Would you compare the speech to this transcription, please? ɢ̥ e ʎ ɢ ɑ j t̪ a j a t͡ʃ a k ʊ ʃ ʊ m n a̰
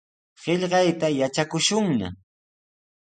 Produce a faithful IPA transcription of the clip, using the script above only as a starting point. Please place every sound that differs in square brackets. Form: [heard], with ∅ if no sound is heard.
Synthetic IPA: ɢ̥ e ʎ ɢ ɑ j t̪ a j a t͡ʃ a k ʊ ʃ ʊ [ŋ] n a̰